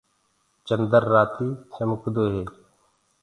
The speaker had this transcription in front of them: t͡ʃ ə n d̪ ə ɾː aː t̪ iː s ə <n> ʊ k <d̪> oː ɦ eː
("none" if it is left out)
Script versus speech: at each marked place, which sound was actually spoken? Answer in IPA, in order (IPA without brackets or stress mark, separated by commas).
m, d̪